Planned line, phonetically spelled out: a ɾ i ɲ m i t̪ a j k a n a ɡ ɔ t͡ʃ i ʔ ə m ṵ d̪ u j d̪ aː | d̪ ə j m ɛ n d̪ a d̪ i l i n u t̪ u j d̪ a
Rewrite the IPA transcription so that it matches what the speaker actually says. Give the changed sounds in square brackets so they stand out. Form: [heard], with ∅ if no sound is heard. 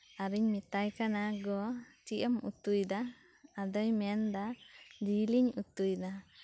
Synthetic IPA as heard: a ɾ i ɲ m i t̪ a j k a n a ɡ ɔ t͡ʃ i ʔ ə m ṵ [t̪] u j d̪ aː | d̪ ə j m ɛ n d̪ a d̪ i l i [ɲ] u t̪ u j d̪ a